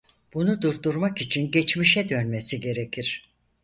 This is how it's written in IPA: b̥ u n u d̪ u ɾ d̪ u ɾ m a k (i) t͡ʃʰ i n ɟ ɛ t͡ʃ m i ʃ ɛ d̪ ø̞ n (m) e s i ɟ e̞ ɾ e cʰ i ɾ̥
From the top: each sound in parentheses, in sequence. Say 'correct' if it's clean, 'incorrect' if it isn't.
correct, correct

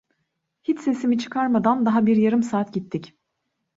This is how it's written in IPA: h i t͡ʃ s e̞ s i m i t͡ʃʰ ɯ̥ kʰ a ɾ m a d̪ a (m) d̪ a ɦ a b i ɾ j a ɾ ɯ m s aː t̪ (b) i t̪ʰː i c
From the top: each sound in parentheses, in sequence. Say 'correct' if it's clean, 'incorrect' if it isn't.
incorrect, incorrect

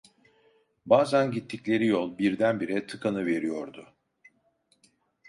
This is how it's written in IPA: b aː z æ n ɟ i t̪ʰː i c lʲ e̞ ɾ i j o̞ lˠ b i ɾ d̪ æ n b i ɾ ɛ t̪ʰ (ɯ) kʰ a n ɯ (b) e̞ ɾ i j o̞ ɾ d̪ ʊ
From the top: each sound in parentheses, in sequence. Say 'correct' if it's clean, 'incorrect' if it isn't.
correct, incorrect

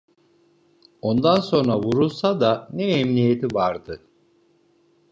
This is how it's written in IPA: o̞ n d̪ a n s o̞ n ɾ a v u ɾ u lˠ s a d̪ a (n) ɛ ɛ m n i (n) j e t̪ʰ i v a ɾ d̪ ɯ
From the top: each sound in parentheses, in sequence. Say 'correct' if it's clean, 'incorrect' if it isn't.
correct, incorrect

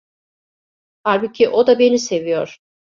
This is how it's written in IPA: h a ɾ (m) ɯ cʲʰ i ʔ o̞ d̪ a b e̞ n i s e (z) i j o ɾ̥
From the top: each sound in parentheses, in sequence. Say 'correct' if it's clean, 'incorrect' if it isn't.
incorrect, incorrect

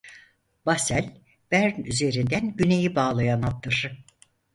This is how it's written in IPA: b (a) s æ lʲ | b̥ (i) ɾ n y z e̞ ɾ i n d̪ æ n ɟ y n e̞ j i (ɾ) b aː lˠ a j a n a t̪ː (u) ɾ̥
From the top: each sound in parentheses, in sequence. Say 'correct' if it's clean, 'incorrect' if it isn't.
correct, incorrect, incorrect, incorrect

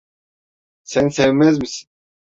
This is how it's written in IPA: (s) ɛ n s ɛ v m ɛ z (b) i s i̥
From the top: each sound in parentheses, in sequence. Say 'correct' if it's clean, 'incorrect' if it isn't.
correct, incorrect

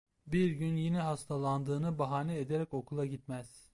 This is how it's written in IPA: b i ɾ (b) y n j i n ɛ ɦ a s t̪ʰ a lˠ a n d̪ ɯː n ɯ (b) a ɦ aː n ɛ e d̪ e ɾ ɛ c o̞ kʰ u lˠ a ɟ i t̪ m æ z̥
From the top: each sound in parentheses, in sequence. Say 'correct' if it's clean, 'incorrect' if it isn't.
incorrect, correct

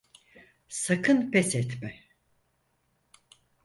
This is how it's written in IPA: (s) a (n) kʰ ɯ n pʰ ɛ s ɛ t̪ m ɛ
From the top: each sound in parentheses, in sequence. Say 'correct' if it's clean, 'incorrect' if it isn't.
correct, incorrect

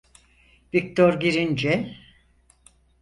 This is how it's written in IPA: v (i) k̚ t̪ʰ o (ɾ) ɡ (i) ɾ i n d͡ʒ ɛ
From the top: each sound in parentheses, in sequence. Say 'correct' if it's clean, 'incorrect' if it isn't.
correct, correct, correct

